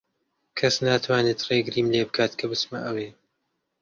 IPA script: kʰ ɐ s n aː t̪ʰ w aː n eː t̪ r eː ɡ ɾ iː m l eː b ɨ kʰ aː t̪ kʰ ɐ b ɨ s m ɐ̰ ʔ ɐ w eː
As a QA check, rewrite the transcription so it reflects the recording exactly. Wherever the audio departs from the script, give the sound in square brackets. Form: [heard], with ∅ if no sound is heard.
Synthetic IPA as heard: kʰ ɐ s n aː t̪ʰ w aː n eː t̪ r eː ɡ ɾ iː m l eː b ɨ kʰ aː t̪ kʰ ɐ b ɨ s m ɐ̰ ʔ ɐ w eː